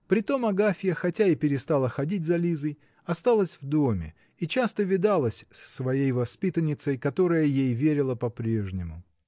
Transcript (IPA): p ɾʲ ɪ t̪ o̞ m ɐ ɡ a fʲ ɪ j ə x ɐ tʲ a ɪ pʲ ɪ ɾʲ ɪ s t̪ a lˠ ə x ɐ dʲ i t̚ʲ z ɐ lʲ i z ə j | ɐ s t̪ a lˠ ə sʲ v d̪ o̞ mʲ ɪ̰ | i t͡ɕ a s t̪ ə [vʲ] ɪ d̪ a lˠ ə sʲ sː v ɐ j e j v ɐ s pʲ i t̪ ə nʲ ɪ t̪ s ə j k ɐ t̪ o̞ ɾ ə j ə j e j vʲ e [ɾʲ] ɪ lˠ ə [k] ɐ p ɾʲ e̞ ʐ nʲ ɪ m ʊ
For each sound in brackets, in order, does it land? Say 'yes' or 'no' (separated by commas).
yes, yes, no